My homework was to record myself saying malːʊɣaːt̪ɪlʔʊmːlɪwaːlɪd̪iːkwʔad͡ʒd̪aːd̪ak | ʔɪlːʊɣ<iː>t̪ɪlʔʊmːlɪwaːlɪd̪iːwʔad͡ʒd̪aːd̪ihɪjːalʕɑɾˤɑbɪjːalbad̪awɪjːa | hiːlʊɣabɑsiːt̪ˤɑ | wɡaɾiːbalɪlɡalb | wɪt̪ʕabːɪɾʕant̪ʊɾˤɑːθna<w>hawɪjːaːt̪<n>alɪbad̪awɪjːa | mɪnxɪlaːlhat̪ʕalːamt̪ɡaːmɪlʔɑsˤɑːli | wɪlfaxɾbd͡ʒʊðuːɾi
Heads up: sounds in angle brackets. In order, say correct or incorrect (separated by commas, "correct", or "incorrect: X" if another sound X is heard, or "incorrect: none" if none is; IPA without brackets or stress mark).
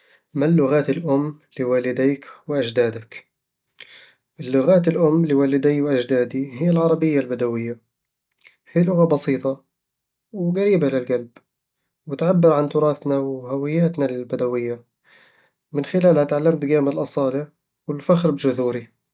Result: incorrect: aː, correct, correct